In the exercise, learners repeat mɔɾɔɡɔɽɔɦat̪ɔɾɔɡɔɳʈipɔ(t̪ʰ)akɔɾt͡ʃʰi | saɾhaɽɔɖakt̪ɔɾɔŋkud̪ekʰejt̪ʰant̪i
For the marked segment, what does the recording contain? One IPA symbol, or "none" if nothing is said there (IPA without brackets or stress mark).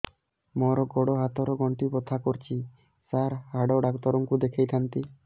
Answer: t̪ʰ